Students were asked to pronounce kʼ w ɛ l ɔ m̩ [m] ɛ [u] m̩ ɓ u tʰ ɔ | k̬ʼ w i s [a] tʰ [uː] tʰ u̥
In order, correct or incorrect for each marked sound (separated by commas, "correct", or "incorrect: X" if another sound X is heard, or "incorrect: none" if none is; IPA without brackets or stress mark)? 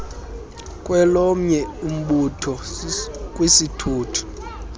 incorrect: ɲ, correct, incorrect: i, correct